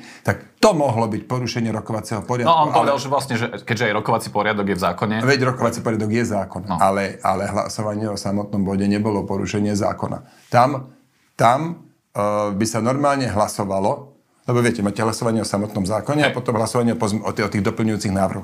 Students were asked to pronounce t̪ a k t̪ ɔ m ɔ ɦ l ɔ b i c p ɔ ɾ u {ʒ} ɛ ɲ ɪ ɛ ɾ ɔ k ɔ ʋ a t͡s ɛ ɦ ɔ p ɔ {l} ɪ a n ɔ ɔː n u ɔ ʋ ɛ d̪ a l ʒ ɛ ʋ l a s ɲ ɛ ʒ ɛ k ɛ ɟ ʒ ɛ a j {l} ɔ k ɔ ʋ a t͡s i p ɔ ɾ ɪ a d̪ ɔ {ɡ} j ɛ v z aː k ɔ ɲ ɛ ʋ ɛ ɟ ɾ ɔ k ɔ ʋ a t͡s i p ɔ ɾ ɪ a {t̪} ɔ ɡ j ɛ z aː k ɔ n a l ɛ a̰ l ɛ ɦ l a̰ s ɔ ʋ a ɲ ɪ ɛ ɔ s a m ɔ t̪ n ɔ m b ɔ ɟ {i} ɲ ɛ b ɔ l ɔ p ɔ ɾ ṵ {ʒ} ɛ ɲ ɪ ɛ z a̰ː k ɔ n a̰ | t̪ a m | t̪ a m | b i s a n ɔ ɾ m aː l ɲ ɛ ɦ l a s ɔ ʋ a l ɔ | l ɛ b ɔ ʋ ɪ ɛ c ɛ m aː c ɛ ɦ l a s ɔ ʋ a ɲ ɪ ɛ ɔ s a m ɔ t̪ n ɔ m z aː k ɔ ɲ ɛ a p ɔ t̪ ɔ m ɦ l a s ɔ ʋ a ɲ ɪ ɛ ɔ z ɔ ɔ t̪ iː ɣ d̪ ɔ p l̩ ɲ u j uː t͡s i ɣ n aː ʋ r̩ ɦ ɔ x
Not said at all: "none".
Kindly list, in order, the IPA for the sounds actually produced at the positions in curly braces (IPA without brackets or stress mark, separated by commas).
ʃ, ɾ, ɾ, ɡ, d̪, ɛ, ʃ